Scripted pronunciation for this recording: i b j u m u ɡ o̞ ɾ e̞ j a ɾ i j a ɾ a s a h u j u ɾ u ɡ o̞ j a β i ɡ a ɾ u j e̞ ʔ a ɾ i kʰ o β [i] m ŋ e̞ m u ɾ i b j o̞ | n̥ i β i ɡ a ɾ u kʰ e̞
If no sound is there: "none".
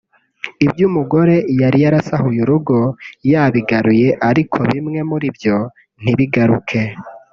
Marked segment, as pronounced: i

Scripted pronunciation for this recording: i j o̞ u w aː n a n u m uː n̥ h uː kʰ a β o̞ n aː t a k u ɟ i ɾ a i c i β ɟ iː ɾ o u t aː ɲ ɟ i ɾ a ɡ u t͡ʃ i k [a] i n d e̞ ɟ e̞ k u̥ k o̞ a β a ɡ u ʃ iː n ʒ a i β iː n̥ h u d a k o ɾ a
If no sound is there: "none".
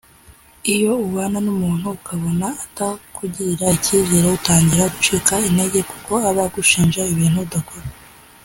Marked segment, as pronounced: a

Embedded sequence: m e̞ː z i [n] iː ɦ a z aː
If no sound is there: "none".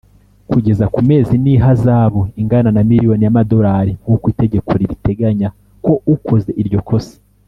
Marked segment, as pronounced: n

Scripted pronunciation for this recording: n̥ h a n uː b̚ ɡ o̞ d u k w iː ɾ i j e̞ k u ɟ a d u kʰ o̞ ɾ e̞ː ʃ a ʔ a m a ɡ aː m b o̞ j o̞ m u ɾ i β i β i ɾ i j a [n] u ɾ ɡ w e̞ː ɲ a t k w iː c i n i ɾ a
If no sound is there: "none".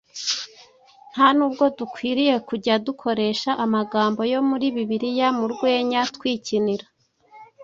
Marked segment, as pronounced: m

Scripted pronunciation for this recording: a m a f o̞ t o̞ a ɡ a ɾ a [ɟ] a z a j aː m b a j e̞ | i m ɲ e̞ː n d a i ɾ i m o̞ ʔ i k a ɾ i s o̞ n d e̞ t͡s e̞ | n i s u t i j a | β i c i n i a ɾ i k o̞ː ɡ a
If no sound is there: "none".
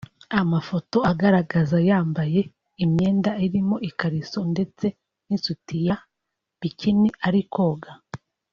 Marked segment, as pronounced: ɡ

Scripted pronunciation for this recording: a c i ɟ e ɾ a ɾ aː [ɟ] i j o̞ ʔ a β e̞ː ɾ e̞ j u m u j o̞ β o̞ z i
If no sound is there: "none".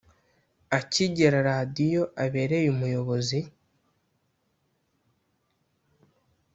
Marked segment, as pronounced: d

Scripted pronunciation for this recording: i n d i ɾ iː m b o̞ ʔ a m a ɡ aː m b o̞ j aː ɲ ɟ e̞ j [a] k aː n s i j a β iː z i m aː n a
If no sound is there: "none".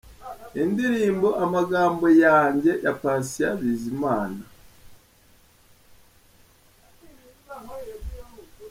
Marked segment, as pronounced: a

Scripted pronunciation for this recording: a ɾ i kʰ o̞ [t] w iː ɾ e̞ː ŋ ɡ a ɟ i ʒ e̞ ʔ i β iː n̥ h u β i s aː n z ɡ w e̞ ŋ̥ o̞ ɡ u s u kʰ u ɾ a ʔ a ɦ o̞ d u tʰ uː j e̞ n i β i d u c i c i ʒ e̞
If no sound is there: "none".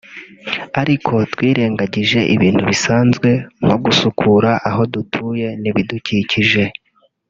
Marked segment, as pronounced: t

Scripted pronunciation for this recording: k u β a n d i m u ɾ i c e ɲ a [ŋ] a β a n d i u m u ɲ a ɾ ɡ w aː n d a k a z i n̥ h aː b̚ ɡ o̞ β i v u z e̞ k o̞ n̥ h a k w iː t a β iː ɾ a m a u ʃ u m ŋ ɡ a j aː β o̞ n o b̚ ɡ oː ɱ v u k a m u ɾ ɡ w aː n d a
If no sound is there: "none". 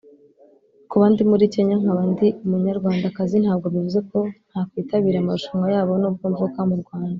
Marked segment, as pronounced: ŋ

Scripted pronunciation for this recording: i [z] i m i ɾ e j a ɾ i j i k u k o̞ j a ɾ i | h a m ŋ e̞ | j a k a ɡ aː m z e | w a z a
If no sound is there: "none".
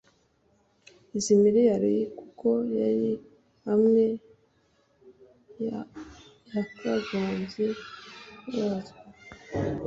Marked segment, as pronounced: z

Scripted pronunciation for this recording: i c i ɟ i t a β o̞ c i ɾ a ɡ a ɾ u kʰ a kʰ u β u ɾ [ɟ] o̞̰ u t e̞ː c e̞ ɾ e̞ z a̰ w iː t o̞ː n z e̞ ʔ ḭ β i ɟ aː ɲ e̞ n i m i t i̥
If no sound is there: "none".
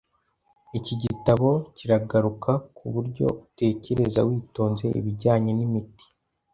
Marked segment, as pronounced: ɟ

